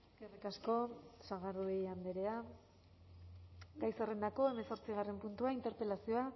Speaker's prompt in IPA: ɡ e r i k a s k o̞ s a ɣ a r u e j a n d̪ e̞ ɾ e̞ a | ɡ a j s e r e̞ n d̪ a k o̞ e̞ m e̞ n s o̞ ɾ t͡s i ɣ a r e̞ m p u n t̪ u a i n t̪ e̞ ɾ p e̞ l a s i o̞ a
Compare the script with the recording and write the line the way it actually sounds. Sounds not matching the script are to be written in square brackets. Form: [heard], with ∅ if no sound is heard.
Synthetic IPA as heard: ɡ e r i k a s k o̞ s a ɣ a r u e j a n d̪ e̞ ɾ e̞ a | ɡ a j s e r e̞ n d̪ a k o̞ e̞ m e̞ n s o̞ ɾ t͡s i ɣ a r e̞ m p u n t̪ u a i n t̪ e̞ ɾ p e̞ l a s i o̞ a